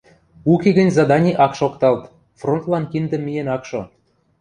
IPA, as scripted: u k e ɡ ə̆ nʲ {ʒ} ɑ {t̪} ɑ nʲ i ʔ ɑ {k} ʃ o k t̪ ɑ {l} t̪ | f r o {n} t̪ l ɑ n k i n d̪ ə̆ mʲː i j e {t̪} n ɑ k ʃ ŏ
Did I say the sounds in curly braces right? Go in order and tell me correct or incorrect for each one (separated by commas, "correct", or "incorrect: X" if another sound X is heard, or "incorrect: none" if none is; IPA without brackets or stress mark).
incorrect: z, incorrect: d̪, correct, correct, correct, incorrect: none